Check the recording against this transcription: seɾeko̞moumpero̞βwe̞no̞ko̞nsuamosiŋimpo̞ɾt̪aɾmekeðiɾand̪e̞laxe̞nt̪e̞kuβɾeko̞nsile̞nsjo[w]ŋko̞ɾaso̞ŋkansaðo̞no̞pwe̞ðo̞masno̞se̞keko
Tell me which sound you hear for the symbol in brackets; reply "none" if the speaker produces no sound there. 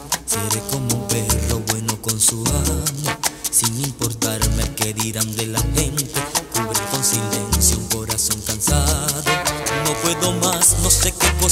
u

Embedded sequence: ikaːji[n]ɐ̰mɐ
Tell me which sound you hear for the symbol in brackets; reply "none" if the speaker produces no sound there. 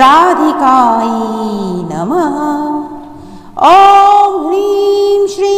n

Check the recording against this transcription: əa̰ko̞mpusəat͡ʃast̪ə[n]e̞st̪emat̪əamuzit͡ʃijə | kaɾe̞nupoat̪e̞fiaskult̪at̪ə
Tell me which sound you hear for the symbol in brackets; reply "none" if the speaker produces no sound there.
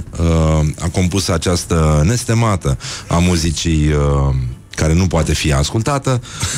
n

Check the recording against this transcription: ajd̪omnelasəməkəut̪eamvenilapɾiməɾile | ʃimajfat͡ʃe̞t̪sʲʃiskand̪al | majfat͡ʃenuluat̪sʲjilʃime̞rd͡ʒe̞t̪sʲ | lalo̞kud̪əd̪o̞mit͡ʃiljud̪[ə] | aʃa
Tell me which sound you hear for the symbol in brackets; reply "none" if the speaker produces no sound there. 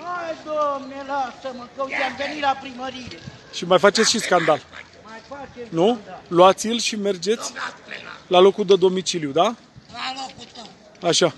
a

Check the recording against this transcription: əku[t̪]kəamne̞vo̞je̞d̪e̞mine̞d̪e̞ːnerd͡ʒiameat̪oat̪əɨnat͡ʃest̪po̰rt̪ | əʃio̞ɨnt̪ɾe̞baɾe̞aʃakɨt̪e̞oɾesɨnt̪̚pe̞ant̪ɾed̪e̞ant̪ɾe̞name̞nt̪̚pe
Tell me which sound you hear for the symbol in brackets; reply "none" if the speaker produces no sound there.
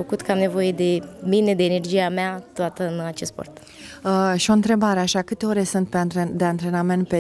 t̪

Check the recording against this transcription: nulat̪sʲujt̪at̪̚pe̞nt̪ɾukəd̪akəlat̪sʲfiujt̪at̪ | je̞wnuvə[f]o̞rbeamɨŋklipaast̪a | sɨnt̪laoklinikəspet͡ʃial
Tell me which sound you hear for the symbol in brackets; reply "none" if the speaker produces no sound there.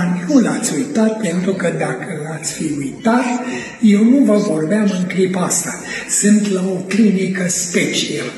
v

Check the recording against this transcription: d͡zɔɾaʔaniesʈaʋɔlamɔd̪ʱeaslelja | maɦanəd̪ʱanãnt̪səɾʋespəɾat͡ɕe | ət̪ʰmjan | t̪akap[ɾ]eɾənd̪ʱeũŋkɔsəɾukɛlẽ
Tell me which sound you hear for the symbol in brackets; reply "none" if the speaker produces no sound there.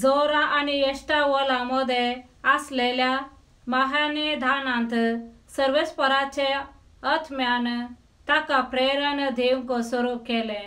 ɾ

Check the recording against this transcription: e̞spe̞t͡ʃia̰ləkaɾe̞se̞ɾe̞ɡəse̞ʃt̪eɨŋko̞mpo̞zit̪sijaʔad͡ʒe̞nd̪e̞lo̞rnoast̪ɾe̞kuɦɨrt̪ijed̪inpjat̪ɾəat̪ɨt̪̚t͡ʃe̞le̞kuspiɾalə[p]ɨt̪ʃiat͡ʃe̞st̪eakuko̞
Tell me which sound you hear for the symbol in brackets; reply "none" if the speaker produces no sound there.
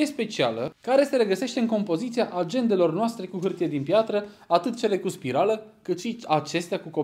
k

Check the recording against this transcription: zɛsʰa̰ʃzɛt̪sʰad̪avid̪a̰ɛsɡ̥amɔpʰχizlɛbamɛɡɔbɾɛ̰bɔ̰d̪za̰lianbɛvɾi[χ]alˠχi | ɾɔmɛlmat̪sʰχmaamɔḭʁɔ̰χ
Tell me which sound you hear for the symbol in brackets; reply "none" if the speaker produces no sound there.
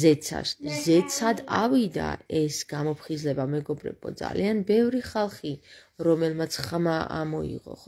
χ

